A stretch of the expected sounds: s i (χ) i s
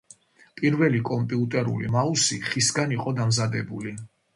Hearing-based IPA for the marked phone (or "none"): χ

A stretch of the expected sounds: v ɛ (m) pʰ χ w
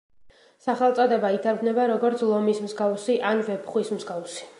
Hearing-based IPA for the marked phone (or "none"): none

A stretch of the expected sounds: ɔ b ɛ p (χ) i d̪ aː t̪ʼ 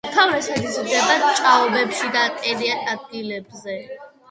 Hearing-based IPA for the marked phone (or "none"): ʃ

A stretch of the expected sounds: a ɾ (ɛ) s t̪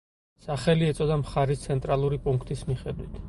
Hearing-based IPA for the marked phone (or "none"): i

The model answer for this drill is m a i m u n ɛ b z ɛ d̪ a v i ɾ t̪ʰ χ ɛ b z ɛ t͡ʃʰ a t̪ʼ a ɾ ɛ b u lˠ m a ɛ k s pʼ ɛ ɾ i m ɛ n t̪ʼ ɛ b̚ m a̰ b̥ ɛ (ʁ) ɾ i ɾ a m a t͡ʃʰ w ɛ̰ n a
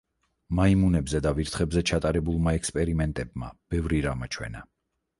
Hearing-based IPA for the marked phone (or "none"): v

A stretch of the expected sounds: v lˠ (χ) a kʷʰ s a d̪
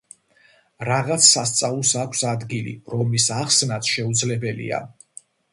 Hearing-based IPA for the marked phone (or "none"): s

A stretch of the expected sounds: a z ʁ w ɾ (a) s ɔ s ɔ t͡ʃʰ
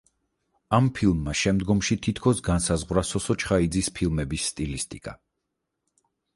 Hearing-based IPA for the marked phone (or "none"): a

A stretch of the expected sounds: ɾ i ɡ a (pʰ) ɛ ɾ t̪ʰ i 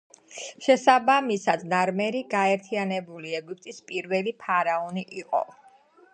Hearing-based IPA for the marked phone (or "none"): none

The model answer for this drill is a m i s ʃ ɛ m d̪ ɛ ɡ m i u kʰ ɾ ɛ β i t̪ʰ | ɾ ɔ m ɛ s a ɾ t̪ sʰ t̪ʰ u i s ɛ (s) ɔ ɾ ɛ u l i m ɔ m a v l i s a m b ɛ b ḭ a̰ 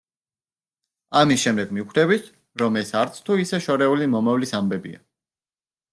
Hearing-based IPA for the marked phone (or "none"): ʃ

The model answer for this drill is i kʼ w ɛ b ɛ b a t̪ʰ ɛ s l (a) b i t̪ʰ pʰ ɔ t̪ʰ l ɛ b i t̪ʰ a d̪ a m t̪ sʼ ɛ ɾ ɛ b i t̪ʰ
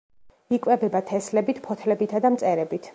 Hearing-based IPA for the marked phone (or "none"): ɛ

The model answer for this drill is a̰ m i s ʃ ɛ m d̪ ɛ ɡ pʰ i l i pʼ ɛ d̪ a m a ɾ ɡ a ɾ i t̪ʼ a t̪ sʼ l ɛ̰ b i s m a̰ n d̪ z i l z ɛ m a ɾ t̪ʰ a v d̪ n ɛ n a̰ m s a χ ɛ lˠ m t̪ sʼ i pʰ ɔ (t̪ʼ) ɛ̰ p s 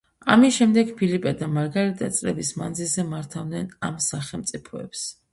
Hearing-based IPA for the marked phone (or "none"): none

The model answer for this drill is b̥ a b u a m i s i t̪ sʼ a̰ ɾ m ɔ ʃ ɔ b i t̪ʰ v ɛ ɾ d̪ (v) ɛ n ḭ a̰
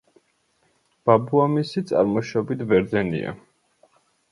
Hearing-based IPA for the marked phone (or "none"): z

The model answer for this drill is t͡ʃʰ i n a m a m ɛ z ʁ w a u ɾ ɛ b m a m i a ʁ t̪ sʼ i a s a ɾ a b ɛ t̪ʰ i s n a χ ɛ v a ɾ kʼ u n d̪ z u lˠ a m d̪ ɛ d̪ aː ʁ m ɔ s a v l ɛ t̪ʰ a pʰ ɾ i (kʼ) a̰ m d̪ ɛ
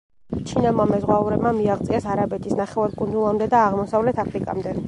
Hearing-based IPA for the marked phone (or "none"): kʼ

